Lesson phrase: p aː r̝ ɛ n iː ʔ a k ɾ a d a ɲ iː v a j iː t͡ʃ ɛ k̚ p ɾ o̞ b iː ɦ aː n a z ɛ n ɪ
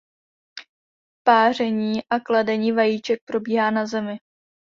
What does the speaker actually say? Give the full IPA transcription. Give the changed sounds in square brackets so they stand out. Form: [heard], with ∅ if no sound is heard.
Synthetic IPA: p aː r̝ ɛ [ɲ] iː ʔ a k [l] a d [ɛ] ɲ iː v a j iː t͡ʃ ɛ k̚ p ɾ o̞ b iː ɦ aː n a z ɛ [m] ɪ